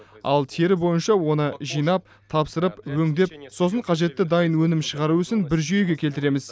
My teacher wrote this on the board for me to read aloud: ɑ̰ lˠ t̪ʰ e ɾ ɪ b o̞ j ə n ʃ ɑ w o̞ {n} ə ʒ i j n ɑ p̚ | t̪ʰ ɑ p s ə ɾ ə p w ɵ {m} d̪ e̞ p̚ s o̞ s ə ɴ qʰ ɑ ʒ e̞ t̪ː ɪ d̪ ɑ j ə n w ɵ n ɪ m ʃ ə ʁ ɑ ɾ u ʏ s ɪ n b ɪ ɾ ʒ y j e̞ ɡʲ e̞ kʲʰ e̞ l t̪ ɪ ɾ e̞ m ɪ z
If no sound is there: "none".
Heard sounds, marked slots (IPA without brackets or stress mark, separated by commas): n, ŋ